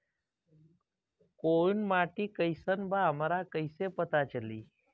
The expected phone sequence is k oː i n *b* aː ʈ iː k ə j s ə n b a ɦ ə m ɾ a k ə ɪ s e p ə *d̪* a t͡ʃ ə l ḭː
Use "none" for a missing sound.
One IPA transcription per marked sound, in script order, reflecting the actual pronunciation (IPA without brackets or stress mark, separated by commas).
m, t̪